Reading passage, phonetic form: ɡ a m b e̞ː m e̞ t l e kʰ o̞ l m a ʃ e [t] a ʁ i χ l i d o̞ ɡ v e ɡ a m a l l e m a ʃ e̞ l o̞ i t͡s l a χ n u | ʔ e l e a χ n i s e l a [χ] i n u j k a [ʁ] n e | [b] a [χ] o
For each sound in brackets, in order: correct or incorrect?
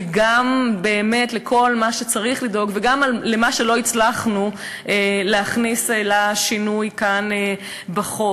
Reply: incorrect, incorrect, incorrect, correct, correct

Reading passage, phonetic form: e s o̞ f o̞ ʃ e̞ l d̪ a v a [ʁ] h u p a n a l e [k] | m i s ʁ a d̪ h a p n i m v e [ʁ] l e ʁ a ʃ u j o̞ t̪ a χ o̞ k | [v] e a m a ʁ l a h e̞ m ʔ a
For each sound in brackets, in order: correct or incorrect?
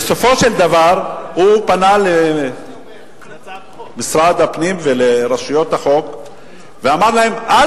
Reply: correct, incorrect, incorrect, correct

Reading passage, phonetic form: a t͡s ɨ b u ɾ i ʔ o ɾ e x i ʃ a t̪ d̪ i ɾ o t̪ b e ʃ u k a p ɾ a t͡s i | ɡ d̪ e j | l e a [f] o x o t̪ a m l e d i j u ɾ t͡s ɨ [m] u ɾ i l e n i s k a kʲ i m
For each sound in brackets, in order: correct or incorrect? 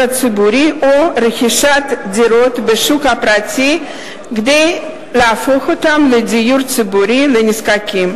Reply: correct, incorrect

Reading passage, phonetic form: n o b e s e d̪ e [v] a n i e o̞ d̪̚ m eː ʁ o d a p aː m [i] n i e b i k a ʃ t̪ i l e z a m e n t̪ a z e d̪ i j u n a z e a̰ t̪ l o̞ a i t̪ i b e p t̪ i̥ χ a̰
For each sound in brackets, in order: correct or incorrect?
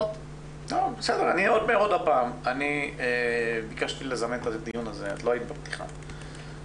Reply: incorrect, incorrect

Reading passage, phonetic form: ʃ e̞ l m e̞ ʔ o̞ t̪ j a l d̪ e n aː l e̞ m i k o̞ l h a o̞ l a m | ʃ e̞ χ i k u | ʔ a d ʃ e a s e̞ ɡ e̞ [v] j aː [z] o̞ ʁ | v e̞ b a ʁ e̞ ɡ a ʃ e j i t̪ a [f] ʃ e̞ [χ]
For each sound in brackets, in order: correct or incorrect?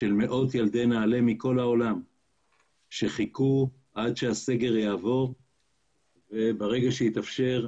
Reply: incorrect, incorrect, correct, incorrect

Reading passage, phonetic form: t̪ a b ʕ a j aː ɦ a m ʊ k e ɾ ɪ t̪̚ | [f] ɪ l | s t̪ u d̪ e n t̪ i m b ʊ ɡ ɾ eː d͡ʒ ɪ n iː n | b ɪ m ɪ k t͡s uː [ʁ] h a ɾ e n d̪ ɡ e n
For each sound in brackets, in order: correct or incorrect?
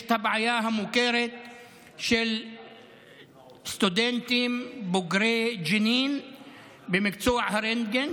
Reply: incorrect, incorrect

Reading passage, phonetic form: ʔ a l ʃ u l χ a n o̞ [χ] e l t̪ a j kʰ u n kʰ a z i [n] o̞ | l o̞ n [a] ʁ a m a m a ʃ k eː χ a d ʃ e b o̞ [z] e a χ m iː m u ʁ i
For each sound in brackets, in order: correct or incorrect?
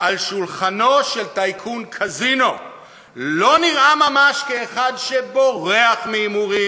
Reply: incorrect, correct, incorrect, incorrect

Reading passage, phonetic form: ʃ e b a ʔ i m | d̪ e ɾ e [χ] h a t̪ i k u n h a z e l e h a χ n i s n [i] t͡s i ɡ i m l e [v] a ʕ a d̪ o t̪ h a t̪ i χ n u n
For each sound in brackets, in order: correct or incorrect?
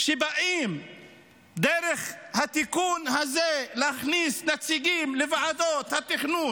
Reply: correct, incorrect, correct

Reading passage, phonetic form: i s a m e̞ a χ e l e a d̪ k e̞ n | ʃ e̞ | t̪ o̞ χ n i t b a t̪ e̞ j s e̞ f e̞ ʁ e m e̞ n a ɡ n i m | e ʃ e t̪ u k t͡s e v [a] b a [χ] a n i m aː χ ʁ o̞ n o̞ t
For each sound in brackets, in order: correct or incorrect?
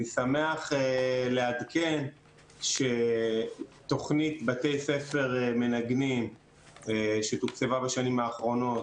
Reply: correct, incorrect

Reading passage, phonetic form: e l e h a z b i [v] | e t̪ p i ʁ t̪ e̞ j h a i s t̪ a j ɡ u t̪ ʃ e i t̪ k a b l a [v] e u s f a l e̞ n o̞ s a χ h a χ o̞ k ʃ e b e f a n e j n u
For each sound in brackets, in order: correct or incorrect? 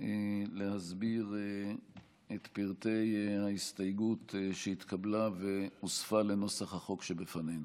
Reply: incorrect, correct

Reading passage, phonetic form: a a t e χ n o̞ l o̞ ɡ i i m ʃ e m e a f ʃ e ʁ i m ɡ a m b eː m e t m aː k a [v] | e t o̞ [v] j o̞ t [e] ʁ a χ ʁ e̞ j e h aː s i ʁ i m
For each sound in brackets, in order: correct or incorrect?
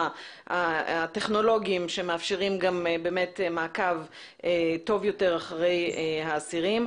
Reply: correct, correct, correct

